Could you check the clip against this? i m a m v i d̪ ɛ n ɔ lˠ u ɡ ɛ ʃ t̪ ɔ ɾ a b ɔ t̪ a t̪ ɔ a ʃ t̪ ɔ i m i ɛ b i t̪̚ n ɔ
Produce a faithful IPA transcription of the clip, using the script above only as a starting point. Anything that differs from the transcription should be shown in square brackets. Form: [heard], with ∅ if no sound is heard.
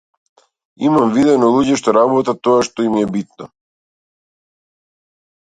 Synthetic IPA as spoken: i m a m v i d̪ ɛ n ɔ lˠ u [ɟ] ɛ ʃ t̪ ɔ ɾ a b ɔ t̪ a t̪ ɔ a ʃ t̪ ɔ i m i ɛ b i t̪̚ n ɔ

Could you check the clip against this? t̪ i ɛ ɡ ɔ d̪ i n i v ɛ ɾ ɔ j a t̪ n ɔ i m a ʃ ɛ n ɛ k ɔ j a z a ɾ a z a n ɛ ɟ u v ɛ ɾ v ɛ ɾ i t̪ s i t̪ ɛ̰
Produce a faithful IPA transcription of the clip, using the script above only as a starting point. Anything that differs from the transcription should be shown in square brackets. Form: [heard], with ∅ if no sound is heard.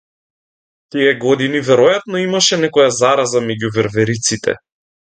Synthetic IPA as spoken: t̪ i ɛ ɡ ɔ d̪ i n i v ɛ ɾ ɔ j a t̪ n ɔ i m a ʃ ɛ n ɛ k ɔ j a z a ɾ a z a [m] ɛ ɟ u v ɛ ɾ v ɛ ɾ i t̪ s i t̪ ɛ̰

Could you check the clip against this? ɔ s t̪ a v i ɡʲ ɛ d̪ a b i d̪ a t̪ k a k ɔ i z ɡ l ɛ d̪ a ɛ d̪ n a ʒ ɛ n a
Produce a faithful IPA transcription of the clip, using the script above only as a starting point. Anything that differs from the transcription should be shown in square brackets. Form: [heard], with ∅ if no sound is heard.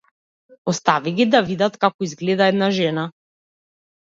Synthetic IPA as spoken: ɔ s t̪ a v i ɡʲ [i] d̪ a [v] i d̪ a t̪ k a k ɔ i z ɡ l ɛ d̪ a ɛ d̪ n a ʒ ɛ n a

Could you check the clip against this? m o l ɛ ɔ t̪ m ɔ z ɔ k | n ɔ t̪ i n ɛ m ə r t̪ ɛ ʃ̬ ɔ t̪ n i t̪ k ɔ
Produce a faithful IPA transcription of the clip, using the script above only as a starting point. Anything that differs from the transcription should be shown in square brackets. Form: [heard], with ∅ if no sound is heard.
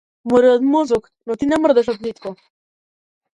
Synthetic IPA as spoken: m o [ɾ] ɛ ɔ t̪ m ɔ z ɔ k | n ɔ t̪ i n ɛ m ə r [d̪] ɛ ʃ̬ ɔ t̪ n i t̪ k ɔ

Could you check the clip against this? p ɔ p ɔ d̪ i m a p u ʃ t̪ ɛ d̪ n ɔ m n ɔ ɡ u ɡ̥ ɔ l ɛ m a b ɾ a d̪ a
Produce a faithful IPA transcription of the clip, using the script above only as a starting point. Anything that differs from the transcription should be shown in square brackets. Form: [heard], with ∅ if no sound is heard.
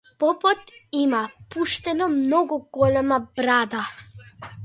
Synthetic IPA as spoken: p ɔ p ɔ [t̪] i m a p u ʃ t̪ ɛ [∅] n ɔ m n ɔ ɡ u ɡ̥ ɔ l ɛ m a b ɾ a d̪ a

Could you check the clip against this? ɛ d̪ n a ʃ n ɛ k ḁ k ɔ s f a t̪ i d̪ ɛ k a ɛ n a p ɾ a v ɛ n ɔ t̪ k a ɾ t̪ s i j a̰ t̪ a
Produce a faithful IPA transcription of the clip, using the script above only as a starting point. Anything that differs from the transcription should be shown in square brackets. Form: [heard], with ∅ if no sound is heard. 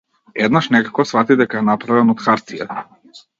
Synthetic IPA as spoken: ɛ d̪ n a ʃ n ɛ k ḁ k ɔ s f a t̪ i d̪ ɛ k a ɛ n a p ɾ a v ɛ n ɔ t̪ [x] a ɾ t̪ s i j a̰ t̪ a

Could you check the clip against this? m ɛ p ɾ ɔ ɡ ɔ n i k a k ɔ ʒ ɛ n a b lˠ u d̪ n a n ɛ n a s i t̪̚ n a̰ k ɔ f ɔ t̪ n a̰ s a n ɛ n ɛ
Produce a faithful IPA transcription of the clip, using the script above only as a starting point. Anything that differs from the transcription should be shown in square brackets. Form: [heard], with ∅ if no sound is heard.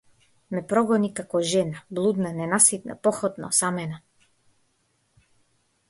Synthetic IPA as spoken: m ɛ p ɾ ɔ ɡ ɔ n i k a k ɔ ʒ ɛ n a b lˠ u d̪ n a n ɛ n a s i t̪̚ n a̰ [p] ɔ [x] ɔ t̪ n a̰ s a [m] ɛ n [a]

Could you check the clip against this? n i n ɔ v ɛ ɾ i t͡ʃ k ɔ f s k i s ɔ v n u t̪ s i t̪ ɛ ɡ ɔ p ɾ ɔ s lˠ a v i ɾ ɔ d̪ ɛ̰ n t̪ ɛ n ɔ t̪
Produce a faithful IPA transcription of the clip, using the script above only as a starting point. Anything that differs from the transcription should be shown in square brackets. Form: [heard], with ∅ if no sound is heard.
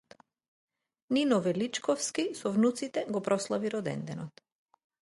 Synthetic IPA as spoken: n i n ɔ v ɛ [l] i t͡ʃ k ɔ f s k i s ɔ v n u t̪ s i t̪ ɛ ɡ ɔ p ɾ ɔ s lˠ a v i ɾ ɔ d̪ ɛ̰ n [d̪] ɛ n ɔ t̪

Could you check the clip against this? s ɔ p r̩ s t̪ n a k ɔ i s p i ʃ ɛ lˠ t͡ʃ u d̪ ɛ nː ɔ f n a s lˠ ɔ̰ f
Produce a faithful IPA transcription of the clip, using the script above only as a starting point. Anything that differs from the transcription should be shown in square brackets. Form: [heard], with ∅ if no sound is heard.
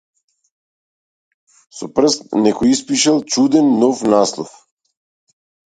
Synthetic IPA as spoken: s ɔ p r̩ s t̪ n [ɛ] k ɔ i s p i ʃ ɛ lˠ t͡ʃ u d̪ ɛ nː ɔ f n a s lˠ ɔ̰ f

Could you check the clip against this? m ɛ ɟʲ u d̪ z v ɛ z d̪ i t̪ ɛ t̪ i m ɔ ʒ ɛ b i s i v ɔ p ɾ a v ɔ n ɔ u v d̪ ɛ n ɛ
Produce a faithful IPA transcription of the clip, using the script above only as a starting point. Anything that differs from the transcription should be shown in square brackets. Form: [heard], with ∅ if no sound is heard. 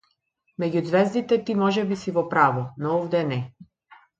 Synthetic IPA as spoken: m ɛ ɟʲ u d̪ z v ɛ z d̪ i t̪ ɛ t̪ i m ɔ ʒ ɛ b i s i v ɔ p ɾ a v ɔ n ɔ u v d̪ ɛ n ɛ

